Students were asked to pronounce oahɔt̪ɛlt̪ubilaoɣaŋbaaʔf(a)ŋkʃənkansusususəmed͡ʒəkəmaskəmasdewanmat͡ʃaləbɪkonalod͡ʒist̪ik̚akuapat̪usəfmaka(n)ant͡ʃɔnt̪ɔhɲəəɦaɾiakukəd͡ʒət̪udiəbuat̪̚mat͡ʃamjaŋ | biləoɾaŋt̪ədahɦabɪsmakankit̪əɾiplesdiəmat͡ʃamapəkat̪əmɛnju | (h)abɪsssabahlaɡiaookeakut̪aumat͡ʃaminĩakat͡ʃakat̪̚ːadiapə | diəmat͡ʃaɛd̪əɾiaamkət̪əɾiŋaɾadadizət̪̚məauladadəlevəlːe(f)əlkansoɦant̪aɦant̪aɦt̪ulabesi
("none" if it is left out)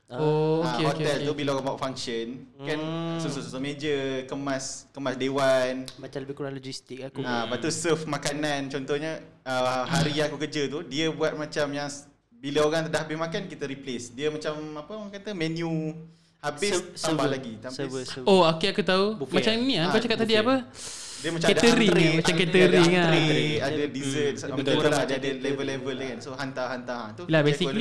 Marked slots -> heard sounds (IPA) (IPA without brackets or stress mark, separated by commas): a, n, h, v